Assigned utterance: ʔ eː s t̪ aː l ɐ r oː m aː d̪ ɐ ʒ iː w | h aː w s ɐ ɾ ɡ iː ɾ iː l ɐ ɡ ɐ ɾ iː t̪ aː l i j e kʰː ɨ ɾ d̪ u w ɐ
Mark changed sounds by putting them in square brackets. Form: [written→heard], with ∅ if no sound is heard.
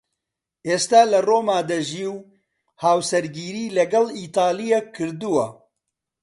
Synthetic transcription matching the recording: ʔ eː s t̪ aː l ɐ r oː m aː d̪ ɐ ʒ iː w | h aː w s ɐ ɾ ɡ iː ɾ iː l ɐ ɡ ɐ [ɾ→l] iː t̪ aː l i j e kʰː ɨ ɾ d̪ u w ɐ

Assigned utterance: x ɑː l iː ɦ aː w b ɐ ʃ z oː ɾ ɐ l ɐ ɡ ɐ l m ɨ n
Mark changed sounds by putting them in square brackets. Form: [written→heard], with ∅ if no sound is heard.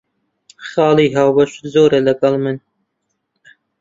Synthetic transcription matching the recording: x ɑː l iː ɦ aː w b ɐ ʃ z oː ɾ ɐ l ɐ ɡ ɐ l m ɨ n

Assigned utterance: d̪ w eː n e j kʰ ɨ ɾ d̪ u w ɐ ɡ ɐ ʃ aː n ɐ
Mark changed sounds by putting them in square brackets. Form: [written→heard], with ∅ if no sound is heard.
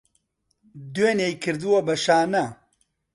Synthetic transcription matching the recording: d̪ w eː n e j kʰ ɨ ɾ d̪ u w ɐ [ɡ→b] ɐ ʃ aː n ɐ

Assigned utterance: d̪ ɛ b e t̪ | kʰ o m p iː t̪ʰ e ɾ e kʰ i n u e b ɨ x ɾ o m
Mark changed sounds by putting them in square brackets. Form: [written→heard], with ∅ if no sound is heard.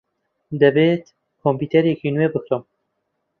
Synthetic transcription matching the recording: d̪ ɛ b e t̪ | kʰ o m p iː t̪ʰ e ɾ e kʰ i n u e b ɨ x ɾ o m

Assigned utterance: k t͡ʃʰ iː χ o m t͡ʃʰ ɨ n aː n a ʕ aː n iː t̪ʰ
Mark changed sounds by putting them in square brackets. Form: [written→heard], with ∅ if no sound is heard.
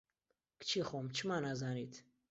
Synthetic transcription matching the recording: k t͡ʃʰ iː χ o m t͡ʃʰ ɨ [n→m] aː n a [ʕ→z] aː n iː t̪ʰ

